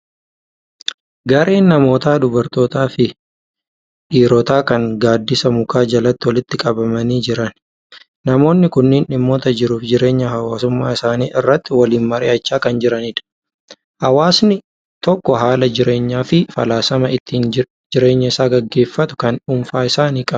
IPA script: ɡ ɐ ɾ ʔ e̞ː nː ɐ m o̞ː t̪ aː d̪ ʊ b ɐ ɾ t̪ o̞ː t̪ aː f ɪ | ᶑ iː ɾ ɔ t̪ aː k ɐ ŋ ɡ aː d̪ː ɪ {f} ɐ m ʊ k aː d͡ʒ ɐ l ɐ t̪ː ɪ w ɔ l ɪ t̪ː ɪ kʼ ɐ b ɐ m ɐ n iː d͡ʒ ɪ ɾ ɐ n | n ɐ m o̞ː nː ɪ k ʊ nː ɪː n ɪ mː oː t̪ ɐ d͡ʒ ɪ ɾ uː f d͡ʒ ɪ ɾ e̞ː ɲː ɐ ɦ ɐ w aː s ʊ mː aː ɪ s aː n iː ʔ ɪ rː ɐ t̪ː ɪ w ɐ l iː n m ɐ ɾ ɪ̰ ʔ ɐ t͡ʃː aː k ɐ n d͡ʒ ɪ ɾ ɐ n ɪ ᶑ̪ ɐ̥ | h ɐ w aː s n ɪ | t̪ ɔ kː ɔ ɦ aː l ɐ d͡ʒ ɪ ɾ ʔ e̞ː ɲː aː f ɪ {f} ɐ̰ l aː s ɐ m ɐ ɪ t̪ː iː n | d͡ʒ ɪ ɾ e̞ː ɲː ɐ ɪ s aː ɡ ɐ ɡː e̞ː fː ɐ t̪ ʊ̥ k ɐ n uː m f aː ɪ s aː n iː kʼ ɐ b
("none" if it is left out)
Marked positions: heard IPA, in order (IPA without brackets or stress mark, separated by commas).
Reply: s, f